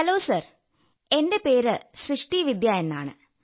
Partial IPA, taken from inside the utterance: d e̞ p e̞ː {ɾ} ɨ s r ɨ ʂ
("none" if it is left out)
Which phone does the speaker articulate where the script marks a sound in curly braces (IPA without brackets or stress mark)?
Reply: ɾ